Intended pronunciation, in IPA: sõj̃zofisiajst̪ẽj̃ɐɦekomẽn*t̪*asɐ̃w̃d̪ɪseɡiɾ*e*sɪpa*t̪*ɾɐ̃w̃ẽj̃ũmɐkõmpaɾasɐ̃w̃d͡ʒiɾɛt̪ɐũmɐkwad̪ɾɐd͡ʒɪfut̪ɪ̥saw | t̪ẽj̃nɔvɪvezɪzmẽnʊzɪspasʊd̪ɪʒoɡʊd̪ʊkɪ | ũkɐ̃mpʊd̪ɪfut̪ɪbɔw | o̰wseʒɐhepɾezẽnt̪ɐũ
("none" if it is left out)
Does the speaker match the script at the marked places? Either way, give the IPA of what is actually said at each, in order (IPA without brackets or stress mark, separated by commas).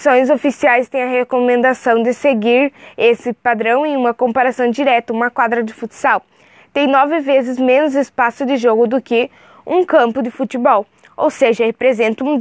d̪, e, d̪